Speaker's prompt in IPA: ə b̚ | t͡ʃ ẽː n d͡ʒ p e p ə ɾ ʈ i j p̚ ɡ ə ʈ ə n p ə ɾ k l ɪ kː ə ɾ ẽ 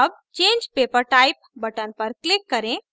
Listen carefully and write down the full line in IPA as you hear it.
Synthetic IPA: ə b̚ | t͡ʃ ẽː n d͡ʒ p e p ə ɾ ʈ a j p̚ b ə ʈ ə n p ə ɾ k l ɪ kː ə ɾ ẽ